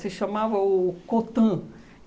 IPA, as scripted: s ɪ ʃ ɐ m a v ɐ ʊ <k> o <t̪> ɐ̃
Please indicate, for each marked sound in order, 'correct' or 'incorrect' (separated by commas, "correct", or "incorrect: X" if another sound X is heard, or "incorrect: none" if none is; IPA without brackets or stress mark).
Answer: correct, correct